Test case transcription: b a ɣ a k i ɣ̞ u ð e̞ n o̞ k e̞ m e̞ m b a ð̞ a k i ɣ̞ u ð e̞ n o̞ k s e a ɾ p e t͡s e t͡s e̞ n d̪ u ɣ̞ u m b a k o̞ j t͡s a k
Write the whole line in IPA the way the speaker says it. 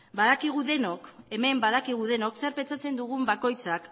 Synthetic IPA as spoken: b a ð a k i ɣ̞ u ð e̞ n o̞ k e̞ m e̞ m b a ð̞ a k i ɣ̞ u ð e̞ n o̞ k s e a ɾ p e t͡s a t͡s e̞ n d̪ u ɣ̞ u m b a k o̞ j t͡s a k